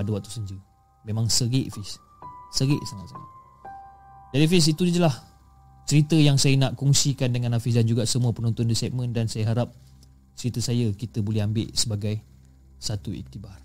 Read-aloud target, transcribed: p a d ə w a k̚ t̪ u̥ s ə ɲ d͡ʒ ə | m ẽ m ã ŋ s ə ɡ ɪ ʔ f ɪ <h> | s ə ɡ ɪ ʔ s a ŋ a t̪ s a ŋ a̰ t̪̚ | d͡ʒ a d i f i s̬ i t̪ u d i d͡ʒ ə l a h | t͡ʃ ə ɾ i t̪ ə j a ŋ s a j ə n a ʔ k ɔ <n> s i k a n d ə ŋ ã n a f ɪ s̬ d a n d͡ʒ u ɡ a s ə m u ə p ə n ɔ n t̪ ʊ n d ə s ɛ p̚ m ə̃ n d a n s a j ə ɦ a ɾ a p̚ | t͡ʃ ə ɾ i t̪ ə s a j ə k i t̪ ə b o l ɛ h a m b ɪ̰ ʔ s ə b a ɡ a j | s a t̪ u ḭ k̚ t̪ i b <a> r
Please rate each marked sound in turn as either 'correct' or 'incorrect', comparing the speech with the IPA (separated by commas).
incorrect, incorrect, correct